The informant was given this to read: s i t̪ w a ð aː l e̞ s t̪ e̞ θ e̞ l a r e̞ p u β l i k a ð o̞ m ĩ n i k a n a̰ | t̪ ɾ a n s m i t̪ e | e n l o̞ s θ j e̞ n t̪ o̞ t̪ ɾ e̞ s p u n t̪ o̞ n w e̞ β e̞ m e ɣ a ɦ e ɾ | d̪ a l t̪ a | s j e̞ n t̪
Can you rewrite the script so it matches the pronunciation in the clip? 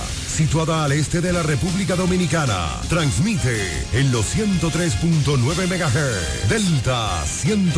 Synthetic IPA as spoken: s i t̪ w a ð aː l e̞ s t̪ e̞ ð e̞ l a r e̞ p u β l i k a ð o̞ m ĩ n i k a n a̰ | t̪ ɾ a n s m i t̪ e | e n l o̞ s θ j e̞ n t̪ o̞ t̪ ɾ e̞ s p u n t̪ o̞ n w e̞ β e̞ m e ɣ a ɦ e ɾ | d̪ e l t̪ a | s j e̞ n t̪